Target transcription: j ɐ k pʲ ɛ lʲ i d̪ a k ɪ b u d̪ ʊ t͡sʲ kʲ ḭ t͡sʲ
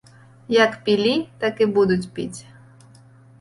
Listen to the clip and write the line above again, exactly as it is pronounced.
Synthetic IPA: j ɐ k pʲ i lʲ i t̪ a k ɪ b u d̪ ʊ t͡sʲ pʲ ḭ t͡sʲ